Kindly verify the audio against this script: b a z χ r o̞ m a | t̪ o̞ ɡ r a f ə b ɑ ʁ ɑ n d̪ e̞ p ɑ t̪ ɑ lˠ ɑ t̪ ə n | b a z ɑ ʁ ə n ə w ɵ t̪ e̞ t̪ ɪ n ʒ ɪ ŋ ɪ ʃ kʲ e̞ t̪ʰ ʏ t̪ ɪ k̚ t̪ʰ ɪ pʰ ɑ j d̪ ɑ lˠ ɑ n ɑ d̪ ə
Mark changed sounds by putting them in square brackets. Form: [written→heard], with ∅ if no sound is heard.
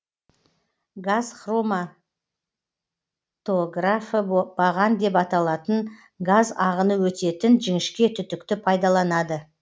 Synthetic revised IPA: [b→ɡ] a z χ r o̞ m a | t̪ o̞ ɡ r a f ə b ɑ ʁ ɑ n d̪ e̞ p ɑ t̪ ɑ lˠ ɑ t̪ ə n | [b→ɡ] a z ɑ ʁ ə n ə w ɵ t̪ e̞ t̪ ɪ n ʒ ɪ ŋ ɪ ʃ kʲ e̞ t̪ʰ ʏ t̪ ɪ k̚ [t̪ʰ→t̪] ɪ pʰ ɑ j d̪ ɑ lˠ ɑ n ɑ d̪ ə